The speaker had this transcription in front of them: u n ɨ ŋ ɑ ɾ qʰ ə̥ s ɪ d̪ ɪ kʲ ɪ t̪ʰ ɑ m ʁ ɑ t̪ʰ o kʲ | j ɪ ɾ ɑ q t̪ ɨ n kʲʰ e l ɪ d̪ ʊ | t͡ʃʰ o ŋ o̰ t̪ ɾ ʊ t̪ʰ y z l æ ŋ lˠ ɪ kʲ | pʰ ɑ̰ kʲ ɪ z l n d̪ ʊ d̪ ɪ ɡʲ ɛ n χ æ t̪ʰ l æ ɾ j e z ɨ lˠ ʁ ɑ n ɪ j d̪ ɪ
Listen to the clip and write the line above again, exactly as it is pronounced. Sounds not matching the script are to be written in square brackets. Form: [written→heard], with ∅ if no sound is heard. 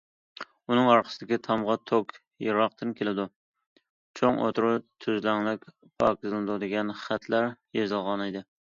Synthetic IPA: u n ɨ ŋ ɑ ɾ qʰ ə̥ s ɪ d̪ ɪ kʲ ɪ t̪ʰ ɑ m ʁ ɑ t̪ʰ o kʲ | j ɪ ɾ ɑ q t̪ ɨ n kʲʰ e l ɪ d̪ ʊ | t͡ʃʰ o ŋ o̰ t̪ ɾ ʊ t̪ʰ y z l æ ŋ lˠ ɪ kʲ | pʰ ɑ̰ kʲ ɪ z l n d̪ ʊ d̪ ɪ ɡʲ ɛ n χ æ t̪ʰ l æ ɾ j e z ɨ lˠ ʁ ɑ n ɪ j d̪ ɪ